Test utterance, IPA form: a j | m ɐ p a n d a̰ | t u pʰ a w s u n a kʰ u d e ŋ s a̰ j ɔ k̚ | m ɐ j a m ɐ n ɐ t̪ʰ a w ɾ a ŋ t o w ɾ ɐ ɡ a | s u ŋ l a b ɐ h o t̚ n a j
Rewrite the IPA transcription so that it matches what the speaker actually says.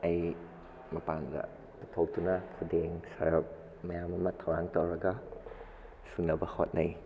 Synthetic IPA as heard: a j | m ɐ p a n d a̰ | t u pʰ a w t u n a kʰ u d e ŋ s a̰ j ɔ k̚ | m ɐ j a m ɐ m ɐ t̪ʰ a w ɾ a ŋ t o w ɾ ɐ ɡ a | s u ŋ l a b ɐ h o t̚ n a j